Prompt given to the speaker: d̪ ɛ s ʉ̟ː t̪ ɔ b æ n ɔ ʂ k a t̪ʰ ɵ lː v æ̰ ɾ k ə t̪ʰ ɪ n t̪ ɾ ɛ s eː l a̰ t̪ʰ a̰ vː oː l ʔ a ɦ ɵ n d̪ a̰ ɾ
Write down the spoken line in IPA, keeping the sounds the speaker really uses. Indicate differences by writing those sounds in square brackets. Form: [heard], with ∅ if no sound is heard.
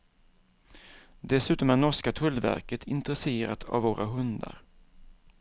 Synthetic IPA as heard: d̪ ɛ s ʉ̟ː t̪ ɔ [m] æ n ɔ ʂ k a t̪ʰ ɵ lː v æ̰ ɾ k ə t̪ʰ ɪ n t̪ ɾ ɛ s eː [ɾ] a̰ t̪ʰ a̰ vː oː [ɾ] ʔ a ɦ ɵ n d̪ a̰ ɾ